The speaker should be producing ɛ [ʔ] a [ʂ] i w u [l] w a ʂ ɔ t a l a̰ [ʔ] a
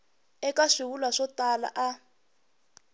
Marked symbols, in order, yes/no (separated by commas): no, yes, yes, yes